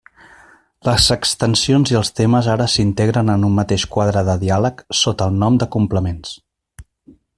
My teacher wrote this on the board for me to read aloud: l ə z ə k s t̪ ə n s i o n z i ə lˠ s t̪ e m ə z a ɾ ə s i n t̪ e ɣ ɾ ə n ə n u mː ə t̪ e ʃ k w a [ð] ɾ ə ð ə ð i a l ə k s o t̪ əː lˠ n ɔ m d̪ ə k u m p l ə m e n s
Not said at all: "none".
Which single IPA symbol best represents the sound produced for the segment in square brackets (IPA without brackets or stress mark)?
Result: ð